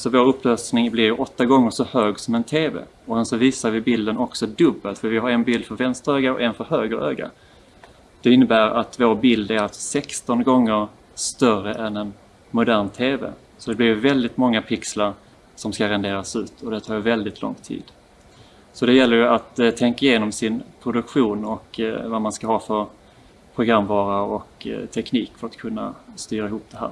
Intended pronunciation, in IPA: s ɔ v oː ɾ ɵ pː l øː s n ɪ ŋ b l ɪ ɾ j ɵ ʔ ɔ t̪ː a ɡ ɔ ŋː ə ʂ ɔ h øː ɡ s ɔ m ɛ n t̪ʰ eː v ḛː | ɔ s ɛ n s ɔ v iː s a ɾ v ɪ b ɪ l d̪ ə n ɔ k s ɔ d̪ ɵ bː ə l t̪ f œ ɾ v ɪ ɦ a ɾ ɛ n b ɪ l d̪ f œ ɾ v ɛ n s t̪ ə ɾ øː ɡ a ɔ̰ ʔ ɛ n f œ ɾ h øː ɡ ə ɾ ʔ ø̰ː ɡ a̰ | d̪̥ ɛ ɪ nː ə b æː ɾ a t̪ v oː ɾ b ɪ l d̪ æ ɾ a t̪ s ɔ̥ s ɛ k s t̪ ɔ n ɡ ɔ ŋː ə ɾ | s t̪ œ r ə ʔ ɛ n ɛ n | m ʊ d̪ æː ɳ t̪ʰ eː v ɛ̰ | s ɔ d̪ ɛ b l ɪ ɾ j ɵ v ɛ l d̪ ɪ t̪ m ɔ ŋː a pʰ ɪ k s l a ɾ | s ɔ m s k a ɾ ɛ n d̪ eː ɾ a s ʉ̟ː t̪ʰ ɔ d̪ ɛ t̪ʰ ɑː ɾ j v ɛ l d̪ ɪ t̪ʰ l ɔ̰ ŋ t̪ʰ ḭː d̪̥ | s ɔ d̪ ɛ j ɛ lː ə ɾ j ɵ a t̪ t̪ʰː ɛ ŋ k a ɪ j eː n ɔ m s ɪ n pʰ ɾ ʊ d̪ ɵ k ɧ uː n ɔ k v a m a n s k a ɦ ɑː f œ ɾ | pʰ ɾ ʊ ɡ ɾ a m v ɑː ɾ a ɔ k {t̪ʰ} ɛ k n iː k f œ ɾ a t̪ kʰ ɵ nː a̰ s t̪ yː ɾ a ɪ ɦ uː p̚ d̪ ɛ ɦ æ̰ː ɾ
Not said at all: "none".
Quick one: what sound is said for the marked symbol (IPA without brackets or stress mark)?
t̪ʰ